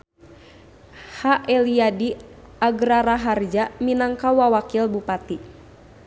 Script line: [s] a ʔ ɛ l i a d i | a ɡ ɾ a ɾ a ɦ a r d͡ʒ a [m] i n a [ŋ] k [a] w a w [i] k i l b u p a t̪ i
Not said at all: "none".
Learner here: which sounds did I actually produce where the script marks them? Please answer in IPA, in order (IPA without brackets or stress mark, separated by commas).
h, m, ŋ, a, a